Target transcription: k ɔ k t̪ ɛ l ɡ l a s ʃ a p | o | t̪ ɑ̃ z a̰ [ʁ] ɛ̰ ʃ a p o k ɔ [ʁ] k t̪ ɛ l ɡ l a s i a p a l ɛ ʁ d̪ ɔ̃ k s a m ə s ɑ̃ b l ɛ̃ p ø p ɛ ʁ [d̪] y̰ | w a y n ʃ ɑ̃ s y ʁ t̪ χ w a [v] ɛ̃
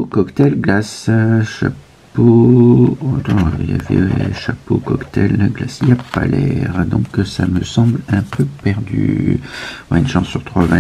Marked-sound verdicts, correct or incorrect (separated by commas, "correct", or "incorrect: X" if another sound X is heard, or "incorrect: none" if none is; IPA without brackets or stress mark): incorrect: v, incorrect: none, correct, correct